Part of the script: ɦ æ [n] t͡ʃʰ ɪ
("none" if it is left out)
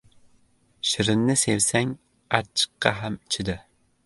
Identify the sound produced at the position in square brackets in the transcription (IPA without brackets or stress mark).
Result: m